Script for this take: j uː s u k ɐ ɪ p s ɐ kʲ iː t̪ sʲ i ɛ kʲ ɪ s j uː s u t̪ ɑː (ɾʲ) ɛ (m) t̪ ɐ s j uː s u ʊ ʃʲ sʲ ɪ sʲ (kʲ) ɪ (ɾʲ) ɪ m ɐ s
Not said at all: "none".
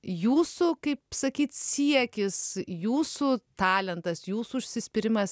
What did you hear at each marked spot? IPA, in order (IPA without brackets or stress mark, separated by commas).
lʲ, n, pʲ, ɾʲ